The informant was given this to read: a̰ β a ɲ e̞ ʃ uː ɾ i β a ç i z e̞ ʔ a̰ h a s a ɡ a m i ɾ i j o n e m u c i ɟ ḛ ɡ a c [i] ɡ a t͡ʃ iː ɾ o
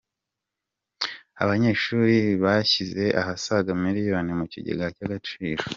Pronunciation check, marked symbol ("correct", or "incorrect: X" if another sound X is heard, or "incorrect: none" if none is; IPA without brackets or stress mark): incorrect: a